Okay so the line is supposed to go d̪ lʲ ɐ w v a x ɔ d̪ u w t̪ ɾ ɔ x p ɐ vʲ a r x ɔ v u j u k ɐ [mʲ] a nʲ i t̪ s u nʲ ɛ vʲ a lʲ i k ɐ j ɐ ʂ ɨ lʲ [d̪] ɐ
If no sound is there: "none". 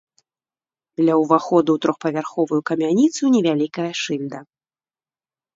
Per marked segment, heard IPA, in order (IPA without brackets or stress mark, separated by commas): mʲ, d̪